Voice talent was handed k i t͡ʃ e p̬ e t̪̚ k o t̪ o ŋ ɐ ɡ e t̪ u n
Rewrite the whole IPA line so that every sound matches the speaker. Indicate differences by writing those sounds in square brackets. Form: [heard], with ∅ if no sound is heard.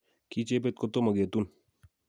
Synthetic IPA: k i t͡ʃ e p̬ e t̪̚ k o t̪ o [m] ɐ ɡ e t̪ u n